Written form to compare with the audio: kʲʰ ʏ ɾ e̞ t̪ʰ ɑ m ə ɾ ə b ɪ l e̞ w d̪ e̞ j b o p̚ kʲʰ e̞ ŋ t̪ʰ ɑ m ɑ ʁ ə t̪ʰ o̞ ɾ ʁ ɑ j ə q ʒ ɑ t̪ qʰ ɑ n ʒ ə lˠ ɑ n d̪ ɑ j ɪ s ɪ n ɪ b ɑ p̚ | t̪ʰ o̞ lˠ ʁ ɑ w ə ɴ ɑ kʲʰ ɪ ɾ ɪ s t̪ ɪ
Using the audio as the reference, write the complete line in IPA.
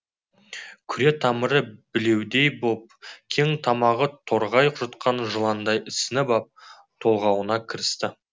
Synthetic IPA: kʲʰ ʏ ɾ e̞ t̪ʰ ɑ m ə ɾ ə b ɪ l e̞ w d̪ e̞ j b o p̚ kʲʰ e̞ ŋ t̪ʰ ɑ m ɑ ʁ ə t̪ʰ o̞ ɾ ʁ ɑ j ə q ʒ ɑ t̪ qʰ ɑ n ʒ ə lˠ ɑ n d̪ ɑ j ɪ s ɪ n ɪ b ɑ p̚ | t̪ʰ o̞ lˠ ʁ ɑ w ə n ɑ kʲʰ ɪ ɾ ɪ s t̪ ɪ